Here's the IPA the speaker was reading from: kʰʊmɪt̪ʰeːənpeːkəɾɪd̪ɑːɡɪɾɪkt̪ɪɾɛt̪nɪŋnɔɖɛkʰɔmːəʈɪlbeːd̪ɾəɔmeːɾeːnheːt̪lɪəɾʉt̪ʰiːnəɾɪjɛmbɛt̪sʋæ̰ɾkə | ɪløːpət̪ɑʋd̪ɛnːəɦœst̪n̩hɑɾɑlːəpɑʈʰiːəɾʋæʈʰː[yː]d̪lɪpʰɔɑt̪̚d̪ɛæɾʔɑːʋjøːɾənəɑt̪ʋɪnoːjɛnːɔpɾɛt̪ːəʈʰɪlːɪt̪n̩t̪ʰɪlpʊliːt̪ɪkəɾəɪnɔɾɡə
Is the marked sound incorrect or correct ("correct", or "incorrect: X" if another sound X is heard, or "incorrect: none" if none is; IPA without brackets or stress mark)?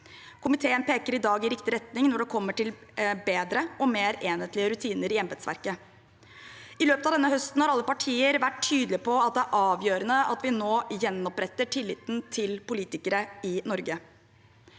correct